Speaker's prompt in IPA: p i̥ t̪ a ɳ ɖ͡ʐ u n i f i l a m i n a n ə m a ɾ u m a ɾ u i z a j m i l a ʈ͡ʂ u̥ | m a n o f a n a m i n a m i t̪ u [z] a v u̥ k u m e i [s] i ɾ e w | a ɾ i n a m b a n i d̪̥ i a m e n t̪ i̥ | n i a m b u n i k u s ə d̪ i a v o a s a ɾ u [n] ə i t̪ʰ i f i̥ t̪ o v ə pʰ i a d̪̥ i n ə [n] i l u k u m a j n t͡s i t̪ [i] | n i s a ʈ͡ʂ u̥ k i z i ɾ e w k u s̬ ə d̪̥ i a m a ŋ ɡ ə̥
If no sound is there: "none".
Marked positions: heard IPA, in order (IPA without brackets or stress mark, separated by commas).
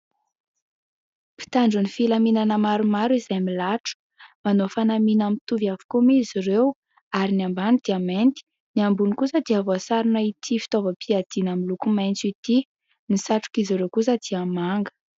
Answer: v, z, n, m, i